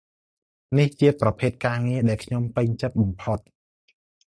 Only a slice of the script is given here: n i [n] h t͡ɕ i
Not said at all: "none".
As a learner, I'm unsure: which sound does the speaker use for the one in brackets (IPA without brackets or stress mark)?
none